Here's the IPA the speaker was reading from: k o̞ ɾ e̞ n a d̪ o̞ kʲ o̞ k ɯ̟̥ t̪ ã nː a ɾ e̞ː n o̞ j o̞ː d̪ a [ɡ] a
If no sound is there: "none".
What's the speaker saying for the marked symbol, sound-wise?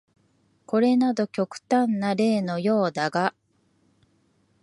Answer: ɡ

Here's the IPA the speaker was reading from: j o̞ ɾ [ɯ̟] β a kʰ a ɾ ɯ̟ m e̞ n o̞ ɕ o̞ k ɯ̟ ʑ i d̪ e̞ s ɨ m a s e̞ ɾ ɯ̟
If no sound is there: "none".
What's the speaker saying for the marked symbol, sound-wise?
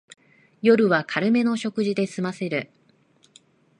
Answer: ɯ̟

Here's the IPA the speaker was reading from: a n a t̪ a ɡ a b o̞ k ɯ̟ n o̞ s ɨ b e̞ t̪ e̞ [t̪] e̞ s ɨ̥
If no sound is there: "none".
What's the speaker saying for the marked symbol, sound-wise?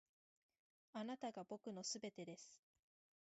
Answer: d̪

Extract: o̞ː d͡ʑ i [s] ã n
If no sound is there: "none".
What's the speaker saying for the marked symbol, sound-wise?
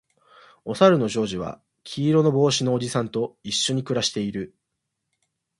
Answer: s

